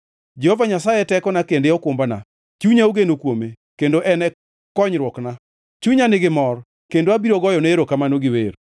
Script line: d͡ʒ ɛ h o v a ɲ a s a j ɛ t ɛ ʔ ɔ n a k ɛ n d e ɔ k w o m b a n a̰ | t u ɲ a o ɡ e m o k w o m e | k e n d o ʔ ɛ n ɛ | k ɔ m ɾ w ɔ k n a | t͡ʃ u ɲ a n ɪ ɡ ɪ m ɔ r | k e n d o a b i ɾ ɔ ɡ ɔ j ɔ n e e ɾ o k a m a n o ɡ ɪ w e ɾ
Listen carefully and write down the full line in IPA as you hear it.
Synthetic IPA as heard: d͡ʒ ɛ h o v a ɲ a s a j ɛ t ɛ k ɔ n a k e n d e ɔ k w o m b a n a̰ | t͡ʃ u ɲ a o ɡ e n o k w o m e | k e n d o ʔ ɛ n ɛ | k ɔ ɲ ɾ w ɔ k n a | t͡ʃ u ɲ a n ɪ ɡ ɪ m ɔ r | k e n d o a b i ɾ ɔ ɡ ɔ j ɔ n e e ɾ o k a m a n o ɡ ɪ w e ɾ